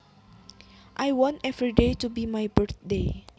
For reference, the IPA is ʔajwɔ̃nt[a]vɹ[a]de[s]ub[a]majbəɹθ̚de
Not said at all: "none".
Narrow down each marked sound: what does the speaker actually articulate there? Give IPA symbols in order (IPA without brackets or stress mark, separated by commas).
ɛ, i, t, i